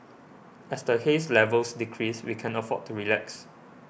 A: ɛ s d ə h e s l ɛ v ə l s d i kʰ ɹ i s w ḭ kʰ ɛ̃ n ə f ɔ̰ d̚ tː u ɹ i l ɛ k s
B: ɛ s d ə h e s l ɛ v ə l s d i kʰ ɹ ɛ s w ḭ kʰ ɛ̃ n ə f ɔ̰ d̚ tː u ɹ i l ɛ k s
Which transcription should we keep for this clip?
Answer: A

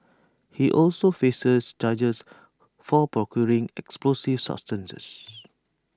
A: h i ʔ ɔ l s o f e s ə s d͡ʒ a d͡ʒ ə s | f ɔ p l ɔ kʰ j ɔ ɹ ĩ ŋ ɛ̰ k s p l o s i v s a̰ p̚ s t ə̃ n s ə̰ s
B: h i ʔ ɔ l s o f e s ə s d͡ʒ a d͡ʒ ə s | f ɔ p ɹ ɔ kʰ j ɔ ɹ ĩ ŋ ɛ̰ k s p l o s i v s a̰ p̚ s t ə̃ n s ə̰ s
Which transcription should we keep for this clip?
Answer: B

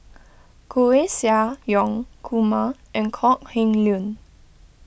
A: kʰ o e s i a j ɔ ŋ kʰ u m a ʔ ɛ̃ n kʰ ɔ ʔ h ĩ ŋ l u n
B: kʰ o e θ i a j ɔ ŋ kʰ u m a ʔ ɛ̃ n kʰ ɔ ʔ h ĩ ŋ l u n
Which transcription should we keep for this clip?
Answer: A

